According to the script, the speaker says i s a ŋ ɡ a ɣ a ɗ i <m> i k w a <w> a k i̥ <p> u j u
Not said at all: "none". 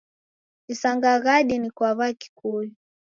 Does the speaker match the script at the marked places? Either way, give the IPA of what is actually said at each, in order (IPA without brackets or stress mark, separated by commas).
n, β, k